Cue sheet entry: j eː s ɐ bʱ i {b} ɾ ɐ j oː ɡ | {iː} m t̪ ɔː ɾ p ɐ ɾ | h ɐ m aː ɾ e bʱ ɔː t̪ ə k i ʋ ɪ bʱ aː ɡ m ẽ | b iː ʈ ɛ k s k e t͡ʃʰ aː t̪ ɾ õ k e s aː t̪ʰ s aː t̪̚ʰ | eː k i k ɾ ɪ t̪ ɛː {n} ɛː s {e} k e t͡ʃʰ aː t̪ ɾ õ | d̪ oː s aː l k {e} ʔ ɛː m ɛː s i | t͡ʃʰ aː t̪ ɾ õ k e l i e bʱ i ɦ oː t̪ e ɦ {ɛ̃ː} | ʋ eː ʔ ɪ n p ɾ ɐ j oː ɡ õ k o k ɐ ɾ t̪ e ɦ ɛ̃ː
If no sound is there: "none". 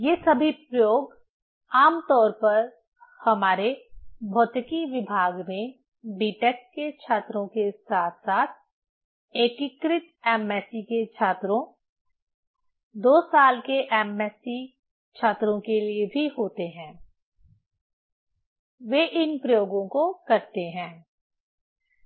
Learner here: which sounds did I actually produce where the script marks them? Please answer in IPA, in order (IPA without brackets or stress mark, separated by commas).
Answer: p, aː, m, i, e, ɛ̃ː